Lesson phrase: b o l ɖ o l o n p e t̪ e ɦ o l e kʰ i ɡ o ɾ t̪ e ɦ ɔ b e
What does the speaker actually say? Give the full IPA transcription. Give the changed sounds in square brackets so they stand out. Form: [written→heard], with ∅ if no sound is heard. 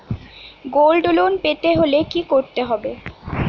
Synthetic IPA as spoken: [b→ɡ] o l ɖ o l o n p e t̪ e ɦ o l e [kʰ→k] i [ɡ→k] o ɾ t̪ e ɦ ɔ b e